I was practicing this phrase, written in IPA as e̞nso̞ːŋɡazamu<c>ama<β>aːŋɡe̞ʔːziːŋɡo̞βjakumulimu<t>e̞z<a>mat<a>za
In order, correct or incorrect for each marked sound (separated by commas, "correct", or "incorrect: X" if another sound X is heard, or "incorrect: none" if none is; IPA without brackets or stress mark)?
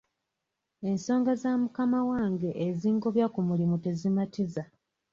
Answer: incorrect: k, incorrect: w, correct, incorrect: i, incorrect: i